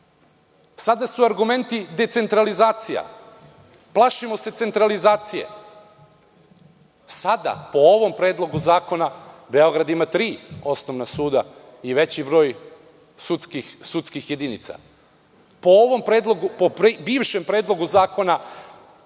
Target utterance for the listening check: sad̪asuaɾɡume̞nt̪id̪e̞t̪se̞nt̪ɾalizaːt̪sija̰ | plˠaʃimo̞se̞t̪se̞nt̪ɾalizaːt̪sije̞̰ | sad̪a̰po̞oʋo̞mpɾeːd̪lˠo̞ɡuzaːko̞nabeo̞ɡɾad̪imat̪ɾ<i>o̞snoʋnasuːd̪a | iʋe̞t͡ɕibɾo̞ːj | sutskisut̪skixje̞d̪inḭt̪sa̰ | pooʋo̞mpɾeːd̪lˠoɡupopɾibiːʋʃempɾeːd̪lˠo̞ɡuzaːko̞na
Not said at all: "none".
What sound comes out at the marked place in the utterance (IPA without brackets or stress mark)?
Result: iː